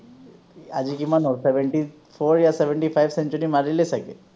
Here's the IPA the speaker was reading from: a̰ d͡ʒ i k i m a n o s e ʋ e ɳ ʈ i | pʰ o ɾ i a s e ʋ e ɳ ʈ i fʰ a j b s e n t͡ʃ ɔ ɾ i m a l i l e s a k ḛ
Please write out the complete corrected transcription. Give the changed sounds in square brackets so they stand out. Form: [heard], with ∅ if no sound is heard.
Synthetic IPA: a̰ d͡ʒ i k i m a n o s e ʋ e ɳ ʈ i | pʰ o ɾ [j] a s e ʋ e ɳ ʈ i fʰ a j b s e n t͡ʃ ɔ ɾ i m a [ɾ] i l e s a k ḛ